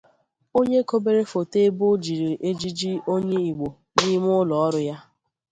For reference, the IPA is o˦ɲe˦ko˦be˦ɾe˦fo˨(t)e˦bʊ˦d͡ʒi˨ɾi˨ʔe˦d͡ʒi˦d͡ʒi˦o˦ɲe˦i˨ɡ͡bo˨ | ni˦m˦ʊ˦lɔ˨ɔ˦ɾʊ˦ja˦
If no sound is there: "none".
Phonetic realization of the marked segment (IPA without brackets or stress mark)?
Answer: t